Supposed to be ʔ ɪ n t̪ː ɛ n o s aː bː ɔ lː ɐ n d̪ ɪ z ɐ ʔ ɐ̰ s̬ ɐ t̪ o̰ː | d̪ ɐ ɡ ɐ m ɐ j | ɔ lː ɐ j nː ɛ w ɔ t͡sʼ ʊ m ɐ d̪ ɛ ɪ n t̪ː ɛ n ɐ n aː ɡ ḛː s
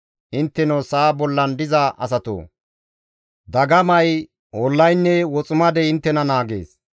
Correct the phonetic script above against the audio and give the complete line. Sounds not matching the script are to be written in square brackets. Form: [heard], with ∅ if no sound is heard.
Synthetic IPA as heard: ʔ ɪ n t̪ː ɛ n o s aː [b] ɔ lː ɐ n d̪ ɪ z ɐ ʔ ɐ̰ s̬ ɐ t̪ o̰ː | d̪ ɐ ɡ ɐ m ɐ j | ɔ lː ɐ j nː ɛ w ɔ t͡sʼ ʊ m ɐ d̪ ɛ ɪ n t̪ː ɛ n ɐ n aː ɡ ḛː s